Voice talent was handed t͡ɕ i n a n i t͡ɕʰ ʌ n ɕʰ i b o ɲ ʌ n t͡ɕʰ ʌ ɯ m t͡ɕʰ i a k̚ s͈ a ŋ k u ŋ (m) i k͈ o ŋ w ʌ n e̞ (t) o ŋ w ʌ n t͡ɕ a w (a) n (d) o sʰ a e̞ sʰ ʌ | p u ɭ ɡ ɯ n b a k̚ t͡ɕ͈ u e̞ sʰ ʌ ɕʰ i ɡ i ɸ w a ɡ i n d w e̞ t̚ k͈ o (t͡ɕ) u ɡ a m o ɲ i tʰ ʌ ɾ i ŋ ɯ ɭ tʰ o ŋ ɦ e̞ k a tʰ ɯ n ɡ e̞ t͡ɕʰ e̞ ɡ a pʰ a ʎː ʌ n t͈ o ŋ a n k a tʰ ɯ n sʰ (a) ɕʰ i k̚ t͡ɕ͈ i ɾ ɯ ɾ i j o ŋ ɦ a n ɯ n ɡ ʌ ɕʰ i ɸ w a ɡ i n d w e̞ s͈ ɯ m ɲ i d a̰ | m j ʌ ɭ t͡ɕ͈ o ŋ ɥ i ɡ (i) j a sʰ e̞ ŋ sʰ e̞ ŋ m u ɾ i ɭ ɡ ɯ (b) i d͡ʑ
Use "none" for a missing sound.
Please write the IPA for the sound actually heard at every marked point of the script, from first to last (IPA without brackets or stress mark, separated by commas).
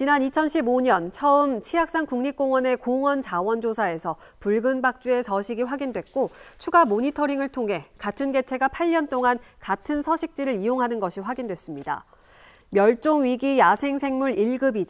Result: ɲ, k, ʌ, d͡ʑ, t͡ɕʰ, ʌ, i, b